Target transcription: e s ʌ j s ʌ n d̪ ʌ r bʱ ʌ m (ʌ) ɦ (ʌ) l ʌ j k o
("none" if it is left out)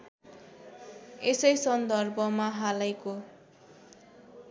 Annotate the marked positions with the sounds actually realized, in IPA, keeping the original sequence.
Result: a, a

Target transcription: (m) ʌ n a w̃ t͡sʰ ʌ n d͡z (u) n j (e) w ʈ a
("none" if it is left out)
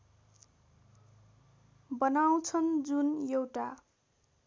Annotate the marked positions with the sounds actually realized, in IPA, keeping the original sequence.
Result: b, u, e

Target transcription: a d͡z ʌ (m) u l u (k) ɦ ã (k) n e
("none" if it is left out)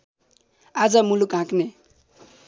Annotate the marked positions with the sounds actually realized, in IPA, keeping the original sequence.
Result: m, k, k

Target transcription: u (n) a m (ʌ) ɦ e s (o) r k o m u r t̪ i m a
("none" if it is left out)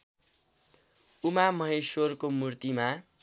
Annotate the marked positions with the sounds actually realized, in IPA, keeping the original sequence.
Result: m, ʌ, o

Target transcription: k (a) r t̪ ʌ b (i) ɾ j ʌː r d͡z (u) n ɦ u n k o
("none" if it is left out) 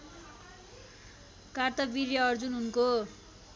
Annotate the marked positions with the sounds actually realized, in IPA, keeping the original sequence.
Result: a, i, u

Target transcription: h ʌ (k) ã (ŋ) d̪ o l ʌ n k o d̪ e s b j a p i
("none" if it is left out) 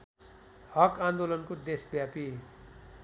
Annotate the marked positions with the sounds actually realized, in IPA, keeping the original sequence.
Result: k, n

